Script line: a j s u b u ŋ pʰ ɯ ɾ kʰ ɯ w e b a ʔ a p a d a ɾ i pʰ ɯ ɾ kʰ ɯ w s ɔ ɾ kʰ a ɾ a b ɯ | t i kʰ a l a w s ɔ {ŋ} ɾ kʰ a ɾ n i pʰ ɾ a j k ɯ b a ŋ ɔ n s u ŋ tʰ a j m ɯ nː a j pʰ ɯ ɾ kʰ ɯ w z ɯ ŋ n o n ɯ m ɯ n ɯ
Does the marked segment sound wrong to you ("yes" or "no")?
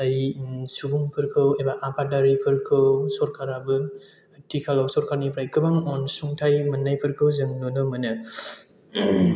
yes